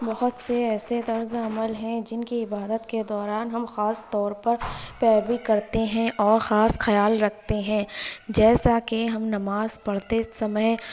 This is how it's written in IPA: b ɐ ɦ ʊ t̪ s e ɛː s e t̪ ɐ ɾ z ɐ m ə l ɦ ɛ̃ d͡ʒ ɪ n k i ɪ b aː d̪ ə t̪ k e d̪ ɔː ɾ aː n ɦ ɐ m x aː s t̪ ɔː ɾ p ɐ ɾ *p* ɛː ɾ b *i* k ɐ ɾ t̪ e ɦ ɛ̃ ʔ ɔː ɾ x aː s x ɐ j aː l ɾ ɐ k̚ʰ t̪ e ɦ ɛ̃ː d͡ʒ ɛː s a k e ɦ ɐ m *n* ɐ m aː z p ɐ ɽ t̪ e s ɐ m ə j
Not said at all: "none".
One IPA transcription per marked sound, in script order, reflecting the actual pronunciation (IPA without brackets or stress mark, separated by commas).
p, i, n